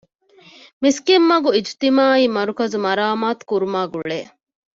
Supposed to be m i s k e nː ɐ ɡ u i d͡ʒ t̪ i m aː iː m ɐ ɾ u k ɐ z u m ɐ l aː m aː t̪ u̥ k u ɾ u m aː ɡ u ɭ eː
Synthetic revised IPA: m i s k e mː ɐ ɡ u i d͡ʒ t̪ i m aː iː m ɐ ɾ u k ɐ z u m ɐ ɾ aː m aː t̪ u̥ k u ɾ u m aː ɡ u ɭ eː